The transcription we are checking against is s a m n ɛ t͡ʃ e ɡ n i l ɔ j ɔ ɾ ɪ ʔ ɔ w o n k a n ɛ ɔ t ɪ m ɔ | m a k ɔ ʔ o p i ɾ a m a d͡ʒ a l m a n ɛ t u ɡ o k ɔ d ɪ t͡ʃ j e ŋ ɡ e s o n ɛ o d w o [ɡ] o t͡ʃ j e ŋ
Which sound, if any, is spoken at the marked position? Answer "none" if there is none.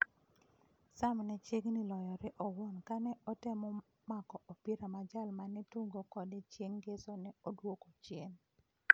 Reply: k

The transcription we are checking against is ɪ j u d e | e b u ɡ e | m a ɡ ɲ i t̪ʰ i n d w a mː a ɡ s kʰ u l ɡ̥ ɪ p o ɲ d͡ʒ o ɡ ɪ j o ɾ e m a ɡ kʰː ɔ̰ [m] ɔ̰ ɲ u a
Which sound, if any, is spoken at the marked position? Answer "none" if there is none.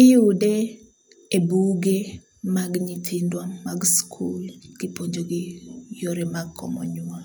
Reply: m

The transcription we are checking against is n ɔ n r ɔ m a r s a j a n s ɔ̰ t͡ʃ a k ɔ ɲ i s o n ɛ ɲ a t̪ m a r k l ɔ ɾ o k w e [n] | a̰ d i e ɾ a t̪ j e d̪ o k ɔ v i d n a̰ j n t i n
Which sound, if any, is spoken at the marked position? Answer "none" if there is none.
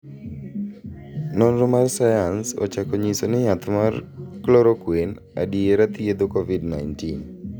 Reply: n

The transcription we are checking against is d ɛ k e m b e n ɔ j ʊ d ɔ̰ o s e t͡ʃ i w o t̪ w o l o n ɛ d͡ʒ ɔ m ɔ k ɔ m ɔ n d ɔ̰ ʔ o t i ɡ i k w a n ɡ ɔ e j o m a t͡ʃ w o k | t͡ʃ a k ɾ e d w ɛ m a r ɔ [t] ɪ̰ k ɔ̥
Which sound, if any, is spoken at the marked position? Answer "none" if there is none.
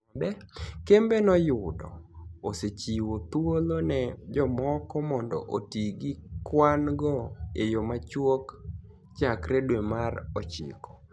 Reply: t͡ʃ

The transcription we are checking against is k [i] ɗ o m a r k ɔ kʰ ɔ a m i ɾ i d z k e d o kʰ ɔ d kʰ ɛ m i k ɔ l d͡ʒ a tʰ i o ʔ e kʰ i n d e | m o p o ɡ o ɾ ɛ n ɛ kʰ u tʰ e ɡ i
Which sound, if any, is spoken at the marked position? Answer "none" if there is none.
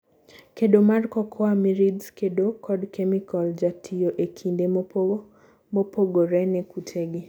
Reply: e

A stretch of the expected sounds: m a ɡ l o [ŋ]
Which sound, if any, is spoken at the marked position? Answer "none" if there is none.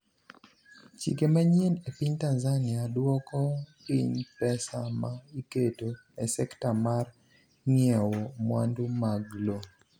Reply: none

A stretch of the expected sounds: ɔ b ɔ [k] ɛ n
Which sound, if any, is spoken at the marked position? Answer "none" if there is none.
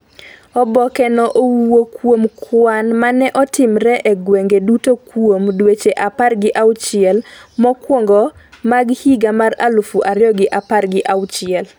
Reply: k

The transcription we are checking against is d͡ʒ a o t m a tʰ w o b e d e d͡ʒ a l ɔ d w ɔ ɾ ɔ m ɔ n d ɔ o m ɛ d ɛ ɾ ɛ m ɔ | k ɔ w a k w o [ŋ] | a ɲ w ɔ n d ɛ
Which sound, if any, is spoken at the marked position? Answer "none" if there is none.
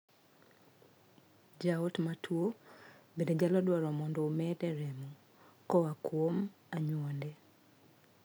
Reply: m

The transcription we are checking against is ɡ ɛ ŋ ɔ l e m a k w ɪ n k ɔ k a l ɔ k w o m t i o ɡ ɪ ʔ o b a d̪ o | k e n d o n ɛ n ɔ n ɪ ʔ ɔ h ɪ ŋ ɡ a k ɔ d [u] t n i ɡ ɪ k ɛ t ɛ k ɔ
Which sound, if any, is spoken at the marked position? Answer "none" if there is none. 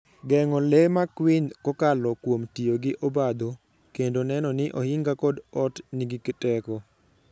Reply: ɔ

